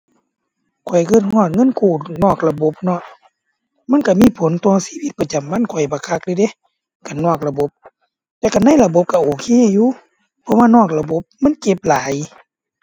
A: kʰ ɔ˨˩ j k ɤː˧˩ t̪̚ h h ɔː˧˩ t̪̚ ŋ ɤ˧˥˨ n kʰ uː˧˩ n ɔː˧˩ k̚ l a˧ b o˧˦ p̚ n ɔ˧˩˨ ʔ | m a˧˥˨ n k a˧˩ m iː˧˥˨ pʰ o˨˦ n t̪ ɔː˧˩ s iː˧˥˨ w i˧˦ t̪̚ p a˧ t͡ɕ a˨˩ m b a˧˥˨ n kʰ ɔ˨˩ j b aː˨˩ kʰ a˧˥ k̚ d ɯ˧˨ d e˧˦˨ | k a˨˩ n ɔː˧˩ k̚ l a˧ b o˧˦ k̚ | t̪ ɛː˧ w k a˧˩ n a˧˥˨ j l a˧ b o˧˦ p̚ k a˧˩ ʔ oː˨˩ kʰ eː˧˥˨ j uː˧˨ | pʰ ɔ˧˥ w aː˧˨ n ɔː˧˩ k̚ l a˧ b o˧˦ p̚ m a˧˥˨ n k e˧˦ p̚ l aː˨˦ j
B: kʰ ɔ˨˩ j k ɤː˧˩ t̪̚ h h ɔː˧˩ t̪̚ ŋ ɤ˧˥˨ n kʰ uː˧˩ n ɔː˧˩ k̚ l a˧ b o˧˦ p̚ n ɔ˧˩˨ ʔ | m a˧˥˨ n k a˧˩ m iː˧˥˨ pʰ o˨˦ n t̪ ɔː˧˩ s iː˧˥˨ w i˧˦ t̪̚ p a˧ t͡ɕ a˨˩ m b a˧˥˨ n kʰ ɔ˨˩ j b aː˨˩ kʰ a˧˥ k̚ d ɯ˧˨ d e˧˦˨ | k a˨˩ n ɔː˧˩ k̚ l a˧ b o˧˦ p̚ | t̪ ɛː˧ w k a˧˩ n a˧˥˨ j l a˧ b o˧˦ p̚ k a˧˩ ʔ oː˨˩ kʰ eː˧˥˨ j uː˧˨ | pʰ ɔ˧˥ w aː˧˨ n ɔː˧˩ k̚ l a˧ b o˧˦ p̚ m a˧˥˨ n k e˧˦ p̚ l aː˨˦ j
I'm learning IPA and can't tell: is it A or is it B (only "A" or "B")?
B